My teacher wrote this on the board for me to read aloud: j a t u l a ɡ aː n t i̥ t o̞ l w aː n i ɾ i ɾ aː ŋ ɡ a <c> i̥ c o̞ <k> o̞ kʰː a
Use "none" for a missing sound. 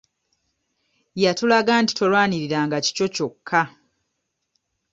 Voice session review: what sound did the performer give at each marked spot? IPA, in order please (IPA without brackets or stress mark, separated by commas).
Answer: c, c